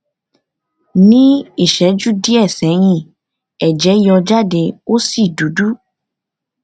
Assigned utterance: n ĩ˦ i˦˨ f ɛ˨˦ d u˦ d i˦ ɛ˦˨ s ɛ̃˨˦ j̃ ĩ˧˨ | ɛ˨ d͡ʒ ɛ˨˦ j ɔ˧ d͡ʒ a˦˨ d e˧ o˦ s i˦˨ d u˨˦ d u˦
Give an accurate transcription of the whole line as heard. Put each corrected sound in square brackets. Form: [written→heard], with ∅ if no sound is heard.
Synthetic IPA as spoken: n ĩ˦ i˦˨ [f→ʃ] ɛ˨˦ [d→d͡ʒ] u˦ d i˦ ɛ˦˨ s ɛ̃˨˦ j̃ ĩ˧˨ | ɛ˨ d͡ʒ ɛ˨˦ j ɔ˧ d͡ʒ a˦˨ d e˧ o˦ s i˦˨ d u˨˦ d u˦